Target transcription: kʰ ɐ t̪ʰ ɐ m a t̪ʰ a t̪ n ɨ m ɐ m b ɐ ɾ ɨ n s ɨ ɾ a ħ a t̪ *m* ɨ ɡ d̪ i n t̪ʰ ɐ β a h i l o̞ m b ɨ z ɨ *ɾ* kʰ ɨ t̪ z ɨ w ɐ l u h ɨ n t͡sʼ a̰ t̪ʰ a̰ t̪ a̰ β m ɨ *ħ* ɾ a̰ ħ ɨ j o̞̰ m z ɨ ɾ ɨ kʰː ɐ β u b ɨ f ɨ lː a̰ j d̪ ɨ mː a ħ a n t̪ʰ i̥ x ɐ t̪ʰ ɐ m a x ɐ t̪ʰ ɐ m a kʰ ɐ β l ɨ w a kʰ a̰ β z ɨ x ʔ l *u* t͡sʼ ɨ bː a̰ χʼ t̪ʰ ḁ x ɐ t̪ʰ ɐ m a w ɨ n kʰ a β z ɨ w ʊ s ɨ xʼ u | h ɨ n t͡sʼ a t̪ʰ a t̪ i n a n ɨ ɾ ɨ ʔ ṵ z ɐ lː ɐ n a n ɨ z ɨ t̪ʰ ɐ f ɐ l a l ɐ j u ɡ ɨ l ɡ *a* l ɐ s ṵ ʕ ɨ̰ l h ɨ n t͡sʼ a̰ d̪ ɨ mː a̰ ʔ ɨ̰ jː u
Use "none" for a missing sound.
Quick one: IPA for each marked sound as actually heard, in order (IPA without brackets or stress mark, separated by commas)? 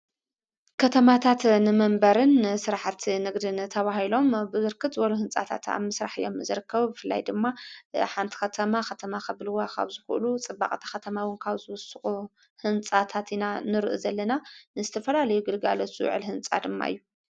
n, ɾ, s, u, a